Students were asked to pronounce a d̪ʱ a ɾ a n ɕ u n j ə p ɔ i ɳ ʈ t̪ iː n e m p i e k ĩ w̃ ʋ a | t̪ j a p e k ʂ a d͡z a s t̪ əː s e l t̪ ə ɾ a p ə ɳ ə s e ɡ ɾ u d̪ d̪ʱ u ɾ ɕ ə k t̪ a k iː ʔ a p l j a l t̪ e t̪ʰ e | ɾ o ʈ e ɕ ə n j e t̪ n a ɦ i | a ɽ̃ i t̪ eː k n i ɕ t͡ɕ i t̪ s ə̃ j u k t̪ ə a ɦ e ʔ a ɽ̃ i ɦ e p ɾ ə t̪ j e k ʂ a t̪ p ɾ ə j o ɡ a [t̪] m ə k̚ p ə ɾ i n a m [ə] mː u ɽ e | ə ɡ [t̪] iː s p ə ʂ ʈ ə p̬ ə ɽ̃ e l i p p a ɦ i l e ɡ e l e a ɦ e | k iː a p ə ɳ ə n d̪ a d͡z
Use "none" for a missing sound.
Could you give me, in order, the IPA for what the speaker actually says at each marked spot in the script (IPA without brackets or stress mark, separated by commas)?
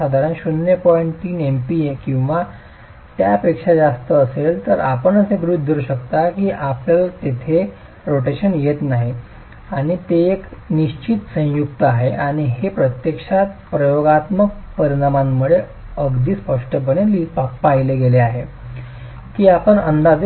t̪, a, d̪